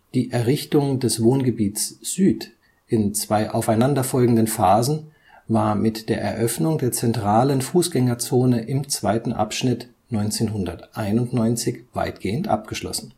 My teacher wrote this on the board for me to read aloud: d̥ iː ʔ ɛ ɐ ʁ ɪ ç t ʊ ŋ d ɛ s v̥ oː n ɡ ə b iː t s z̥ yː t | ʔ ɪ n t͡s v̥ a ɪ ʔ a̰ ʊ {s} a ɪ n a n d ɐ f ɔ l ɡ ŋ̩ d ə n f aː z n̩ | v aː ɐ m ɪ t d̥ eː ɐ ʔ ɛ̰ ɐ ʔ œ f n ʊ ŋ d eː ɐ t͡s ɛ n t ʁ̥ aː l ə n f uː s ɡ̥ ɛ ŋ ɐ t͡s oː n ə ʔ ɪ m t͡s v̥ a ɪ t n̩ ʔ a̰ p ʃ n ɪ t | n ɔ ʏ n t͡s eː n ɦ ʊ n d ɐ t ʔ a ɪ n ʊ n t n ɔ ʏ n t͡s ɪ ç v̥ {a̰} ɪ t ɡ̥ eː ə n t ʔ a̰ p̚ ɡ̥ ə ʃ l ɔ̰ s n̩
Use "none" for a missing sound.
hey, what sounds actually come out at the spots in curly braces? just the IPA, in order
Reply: f, a̰

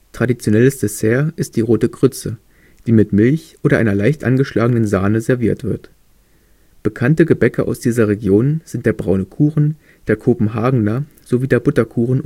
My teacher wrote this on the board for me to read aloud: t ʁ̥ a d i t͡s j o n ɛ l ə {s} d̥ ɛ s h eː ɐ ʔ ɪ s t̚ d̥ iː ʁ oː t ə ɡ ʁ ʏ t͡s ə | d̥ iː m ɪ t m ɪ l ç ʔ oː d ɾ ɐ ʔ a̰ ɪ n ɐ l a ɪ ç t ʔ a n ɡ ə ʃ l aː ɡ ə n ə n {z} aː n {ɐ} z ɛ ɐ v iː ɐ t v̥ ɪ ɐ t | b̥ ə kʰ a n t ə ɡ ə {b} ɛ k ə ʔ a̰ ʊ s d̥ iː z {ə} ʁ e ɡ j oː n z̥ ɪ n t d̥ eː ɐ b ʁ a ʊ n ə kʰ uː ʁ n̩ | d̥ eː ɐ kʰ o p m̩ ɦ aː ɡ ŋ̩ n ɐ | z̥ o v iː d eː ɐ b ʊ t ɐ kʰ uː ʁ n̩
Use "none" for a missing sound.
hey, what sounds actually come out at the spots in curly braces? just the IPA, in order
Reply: s, z, ə, b, ɐ

